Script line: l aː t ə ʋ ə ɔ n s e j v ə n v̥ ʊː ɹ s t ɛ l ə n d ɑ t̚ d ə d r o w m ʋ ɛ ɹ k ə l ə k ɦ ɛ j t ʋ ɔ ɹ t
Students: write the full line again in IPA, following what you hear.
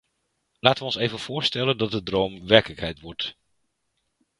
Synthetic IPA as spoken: l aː t ə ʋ ə ɔ n s e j v ə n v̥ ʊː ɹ s t ɛ l ə n d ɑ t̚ d ə d r o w m ʋ ɛ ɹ k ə l ə k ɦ ɛ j t ʋ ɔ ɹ t